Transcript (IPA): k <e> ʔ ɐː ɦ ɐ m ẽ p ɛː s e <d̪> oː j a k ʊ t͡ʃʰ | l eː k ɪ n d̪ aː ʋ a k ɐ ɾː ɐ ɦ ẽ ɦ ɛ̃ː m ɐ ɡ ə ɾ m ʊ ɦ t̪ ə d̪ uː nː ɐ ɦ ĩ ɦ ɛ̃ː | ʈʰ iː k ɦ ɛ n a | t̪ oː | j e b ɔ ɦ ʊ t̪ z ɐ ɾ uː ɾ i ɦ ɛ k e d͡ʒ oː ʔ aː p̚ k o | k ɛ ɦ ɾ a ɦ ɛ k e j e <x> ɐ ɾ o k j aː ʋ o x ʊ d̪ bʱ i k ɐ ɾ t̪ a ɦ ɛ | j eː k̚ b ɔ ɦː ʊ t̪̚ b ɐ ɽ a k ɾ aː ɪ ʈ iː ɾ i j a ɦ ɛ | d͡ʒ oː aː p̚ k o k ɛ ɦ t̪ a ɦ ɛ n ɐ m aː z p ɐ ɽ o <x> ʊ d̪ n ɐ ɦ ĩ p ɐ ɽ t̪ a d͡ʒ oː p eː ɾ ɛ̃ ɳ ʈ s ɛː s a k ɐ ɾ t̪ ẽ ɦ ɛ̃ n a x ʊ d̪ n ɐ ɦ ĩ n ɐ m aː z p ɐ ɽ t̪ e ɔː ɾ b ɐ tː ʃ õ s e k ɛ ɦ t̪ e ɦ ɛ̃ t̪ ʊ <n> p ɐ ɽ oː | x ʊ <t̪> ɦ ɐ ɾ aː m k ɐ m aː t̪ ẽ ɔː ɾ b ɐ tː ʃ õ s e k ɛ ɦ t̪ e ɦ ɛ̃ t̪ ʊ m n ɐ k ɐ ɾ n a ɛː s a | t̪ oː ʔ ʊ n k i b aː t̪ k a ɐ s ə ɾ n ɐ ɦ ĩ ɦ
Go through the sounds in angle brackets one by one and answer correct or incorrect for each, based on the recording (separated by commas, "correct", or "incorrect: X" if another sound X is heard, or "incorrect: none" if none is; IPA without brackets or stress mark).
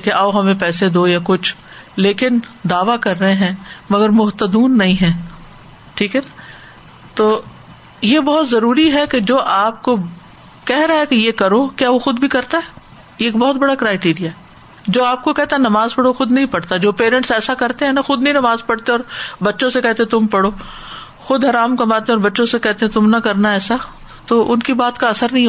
correct, correct, incorrect: k, correct, incorrect: m, incorrect: d̪